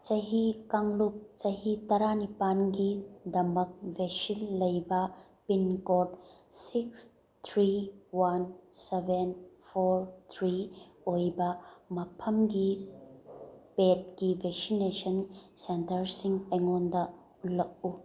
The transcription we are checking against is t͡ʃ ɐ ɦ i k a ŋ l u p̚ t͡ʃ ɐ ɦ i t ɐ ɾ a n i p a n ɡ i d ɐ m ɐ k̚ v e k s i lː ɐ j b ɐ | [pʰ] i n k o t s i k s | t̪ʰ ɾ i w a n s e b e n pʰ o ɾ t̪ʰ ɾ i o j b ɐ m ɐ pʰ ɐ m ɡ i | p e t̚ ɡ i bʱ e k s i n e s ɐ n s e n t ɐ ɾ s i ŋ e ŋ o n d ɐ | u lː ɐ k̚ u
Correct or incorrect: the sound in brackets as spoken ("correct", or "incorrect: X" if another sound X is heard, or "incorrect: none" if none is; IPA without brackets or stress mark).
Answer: incorrect: p